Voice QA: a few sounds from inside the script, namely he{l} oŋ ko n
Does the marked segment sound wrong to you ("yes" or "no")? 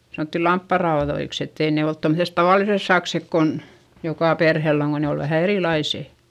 yes